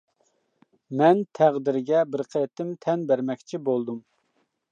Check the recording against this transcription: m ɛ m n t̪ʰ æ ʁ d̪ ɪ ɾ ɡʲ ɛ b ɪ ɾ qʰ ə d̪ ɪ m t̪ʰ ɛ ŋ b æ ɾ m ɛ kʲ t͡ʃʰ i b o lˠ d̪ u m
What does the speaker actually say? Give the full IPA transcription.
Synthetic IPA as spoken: m ɛ n t̪ʰ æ ʁ d̪ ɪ ɾ ɡʲ ɛ b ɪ ɾ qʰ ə t̪ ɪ m t̪ʰ ɛ n b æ ɾ m ɛ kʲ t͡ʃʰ i b o lˠ d̪ u m